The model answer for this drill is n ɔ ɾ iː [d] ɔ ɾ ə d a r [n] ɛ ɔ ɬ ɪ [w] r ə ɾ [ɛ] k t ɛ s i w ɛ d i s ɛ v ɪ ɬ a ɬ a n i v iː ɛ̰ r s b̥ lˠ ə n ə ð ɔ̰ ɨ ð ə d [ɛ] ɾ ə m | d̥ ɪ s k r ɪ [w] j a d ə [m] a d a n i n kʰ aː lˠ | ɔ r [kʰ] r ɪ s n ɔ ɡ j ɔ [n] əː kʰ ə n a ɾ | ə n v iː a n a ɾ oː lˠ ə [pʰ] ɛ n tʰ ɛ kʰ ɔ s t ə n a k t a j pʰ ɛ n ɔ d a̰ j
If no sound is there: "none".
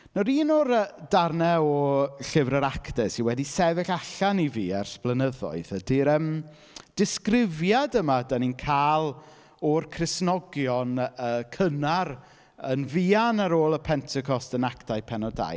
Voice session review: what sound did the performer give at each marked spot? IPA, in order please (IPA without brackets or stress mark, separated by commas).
n, n, v, a, i, v, m, kʰ, n, pʰ